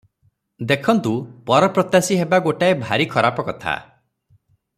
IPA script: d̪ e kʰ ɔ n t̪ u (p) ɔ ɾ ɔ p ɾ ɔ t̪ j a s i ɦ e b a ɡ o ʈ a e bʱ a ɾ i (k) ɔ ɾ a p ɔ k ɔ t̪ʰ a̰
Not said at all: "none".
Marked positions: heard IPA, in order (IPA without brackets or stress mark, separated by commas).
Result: p, kʰ